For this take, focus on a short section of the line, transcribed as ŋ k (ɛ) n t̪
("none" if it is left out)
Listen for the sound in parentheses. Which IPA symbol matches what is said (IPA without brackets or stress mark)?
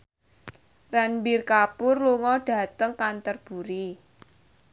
a